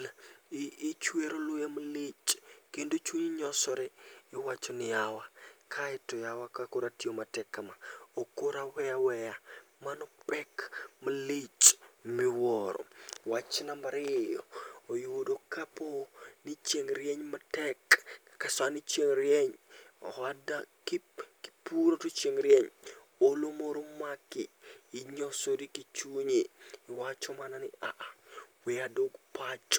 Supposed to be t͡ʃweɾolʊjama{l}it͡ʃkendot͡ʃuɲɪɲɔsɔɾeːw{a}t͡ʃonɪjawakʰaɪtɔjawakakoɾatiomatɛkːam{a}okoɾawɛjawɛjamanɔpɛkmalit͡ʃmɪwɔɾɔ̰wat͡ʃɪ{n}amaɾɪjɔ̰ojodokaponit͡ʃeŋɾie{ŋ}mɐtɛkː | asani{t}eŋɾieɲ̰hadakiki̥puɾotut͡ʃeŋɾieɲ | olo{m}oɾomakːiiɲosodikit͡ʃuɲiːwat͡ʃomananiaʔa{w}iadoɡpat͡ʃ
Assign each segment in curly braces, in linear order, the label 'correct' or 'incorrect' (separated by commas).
correct, correct, correct, correct, incorrect, incorrect, correct, correct